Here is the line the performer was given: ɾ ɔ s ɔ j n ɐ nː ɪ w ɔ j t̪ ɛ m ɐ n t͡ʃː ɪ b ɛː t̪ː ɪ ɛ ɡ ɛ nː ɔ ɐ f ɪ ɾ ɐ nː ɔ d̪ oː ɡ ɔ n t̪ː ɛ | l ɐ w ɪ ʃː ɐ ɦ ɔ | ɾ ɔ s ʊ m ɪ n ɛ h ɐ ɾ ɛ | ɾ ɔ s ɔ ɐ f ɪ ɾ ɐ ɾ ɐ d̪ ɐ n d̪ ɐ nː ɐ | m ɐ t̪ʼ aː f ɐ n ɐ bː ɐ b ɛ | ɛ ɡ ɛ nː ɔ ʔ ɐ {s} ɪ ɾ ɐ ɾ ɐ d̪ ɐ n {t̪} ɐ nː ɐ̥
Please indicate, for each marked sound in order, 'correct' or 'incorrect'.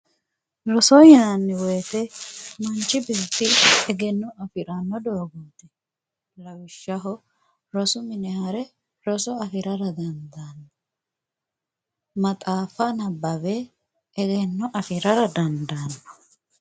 incorrect: f, incorrect: d̪

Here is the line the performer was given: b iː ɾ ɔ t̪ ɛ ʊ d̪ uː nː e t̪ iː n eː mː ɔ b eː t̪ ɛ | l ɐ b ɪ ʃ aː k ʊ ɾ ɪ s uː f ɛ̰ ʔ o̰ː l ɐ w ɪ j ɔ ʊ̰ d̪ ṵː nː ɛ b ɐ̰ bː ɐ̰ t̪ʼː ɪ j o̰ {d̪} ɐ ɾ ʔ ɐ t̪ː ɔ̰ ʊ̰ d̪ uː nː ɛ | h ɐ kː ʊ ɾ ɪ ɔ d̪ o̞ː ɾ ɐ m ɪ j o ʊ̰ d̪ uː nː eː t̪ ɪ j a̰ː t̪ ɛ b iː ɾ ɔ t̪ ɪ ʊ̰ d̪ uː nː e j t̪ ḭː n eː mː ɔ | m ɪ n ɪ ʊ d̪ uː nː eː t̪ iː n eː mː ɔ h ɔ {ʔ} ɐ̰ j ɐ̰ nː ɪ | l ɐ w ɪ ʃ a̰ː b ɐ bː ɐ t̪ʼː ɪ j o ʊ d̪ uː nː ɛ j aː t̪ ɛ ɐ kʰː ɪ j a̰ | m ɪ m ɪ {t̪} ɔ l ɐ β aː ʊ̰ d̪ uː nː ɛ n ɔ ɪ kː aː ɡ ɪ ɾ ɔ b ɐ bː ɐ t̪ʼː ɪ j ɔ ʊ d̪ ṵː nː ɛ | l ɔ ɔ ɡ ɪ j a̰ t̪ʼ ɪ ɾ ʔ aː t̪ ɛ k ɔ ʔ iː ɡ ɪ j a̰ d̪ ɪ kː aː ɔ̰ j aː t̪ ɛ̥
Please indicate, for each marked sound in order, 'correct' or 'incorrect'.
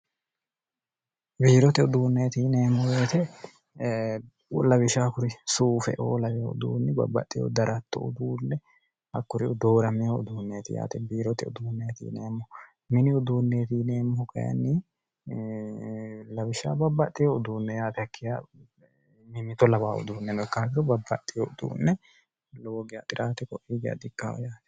correct, incorrect: k, correct

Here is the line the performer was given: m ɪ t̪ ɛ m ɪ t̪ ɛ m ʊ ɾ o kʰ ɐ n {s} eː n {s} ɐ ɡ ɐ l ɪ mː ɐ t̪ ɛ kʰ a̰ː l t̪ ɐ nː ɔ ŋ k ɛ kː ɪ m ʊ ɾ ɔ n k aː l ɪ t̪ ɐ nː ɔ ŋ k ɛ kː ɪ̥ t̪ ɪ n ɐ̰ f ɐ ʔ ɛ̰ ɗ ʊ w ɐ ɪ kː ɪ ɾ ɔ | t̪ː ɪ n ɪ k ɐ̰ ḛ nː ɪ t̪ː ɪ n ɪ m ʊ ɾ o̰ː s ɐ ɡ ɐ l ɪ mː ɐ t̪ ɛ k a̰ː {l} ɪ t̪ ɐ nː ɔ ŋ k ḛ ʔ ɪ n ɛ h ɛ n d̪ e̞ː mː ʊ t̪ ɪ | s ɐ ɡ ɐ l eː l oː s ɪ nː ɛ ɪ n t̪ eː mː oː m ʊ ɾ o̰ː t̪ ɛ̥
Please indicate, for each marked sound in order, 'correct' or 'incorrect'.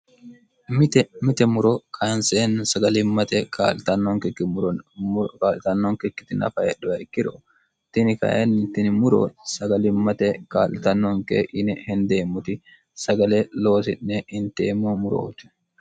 correct, correct, correct

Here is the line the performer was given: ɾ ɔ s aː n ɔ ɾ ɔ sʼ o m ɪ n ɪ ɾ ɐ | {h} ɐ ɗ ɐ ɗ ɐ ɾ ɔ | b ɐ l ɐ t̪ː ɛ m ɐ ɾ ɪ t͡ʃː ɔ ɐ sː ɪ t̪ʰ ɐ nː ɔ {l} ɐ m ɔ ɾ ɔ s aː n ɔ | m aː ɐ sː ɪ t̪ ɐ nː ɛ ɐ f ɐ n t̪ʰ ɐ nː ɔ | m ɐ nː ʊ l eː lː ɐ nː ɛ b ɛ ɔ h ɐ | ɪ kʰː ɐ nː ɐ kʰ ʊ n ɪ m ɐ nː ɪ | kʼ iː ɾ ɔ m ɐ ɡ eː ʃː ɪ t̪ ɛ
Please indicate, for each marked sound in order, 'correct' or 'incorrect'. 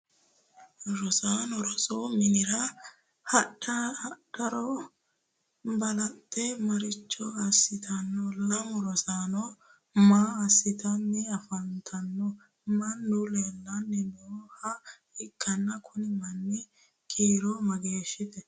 correct, correct

